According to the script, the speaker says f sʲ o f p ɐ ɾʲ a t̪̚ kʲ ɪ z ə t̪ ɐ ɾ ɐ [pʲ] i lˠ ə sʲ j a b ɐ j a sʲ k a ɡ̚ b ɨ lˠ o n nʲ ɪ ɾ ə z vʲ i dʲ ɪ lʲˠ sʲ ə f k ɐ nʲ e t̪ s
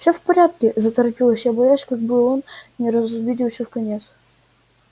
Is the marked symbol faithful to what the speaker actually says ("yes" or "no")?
yes